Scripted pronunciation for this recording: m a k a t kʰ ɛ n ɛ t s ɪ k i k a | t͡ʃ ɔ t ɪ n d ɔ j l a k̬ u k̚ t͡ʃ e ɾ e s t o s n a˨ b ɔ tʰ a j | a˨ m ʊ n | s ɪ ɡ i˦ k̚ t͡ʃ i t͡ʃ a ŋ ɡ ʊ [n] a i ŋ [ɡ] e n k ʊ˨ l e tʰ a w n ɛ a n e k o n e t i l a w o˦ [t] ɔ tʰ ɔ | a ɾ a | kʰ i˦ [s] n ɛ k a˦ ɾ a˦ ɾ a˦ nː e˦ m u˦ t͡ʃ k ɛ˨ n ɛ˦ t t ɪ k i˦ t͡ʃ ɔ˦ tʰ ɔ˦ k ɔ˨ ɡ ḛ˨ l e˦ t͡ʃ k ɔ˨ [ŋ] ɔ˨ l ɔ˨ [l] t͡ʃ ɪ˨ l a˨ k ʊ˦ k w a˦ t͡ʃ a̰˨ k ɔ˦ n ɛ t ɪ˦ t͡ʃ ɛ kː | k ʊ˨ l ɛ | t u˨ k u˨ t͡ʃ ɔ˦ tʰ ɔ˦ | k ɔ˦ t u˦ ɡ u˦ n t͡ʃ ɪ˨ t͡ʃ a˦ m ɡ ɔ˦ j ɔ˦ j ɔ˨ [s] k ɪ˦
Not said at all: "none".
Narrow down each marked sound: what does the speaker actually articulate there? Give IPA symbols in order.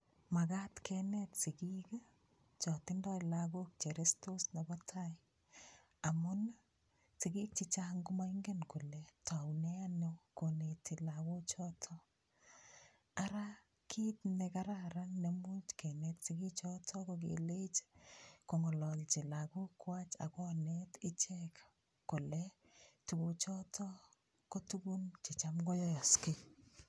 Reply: m, ɡ, t͡ʃ, t, ŋ, l, s

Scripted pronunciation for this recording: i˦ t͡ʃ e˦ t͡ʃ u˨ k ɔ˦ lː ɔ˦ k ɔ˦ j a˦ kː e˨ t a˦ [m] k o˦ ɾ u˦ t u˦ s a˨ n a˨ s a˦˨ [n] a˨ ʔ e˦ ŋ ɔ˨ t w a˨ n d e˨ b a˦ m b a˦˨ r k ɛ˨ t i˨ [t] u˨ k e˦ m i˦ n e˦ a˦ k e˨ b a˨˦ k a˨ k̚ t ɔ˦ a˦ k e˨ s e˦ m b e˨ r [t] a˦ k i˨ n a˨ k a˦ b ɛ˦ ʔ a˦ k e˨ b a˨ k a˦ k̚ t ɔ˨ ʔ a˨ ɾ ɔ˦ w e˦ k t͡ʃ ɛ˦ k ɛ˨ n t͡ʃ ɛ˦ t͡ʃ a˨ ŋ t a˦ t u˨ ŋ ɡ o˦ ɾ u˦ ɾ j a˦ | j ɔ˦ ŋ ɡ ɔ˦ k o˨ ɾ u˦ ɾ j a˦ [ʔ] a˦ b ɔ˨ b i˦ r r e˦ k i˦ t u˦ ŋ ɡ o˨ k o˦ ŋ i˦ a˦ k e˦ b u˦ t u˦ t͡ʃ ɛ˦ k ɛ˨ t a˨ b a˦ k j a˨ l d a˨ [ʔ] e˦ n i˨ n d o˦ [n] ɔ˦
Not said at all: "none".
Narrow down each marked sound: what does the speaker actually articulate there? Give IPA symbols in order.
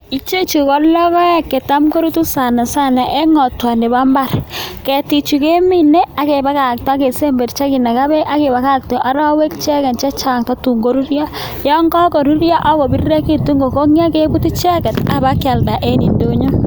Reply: m, n, t͡ʃ, t͡ʃ, ʔ, ʔ, ɲ

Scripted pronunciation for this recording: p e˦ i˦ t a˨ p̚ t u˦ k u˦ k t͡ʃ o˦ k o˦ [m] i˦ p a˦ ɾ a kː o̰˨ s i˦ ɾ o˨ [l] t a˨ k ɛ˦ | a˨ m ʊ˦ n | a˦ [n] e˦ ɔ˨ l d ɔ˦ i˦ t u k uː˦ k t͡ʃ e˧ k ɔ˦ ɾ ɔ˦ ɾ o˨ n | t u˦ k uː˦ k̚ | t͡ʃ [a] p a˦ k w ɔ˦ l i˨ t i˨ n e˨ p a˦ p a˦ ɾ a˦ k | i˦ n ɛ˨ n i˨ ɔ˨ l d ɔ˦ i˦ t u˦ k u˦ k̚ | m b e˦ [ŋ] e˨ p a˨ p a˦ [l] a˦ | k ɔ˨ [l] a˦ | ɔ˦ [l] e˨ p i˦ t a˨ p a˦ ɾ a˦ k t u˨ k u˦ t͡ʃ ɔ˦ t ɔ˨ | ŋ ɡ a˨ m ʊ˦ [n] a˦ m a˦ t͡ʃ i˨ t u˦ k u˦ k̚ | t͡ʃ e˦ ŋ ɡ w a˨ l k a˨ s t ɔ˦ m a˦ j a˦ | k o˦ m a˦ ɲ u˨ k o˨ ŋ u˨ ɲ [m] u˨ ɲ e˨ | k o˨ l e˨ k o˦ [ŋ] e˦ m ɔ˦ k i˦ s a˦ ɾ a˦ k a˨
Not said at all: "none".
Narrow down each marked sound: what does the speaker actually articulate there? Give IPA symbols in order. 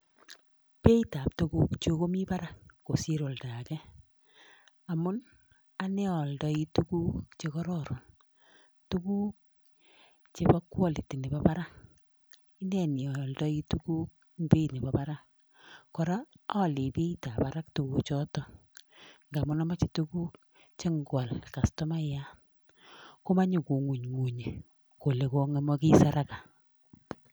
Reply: m, l, n, e, n, ɾ, ɾ, l, n, ŋ, ŋ

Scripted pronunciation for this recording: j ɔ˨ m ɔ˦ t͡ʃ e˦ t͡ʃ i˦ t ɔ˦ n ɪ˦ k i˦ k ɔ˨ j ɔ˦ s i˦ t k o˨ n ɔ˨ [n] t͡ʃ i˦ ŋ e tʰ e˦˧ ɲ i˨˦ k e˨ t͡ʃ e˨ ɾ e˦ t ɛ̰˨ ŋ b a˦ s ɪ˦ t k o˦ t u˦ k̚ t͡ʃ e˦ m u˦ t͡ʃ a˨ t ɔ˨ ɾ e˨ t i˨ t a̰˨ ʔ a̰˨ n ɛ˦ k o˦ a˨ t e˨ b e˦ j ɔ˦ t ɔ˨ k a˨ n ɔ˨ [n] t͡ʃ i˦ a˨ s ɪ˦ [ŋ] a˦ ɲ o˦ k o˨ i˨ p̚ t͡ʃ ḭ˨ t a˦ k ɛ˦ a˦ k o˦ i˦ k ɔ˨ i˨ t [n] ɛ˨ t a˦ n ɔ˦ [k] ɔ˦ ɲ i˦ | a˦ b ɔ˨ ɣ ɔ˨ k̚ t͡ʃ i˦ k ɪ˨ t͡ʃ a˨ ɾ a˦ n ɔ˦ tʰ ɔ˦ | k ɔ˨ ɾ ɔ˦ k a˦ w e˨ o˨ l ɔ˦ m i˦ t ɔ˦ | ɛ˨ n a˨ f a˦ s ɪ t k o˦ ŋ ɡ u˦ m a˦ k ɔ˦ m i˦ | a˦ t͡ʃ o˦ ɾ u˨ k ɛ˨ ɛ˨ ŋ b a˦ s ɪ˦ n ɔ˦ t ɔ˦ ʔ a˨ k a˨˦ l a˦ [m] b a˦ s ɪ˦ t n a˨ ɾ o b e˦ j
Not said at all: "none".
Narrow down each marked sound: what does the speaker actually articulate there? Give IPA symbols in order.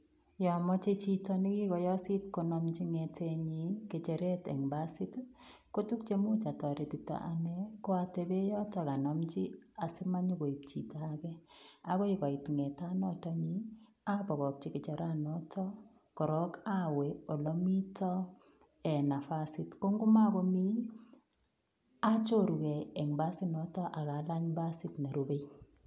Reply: m, m, m, ŋ, t, ɲ

